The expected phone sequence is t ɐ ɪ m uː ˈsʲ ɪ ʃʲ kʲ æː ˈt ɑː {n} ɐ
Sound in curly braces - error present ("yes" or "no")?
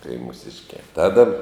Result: yes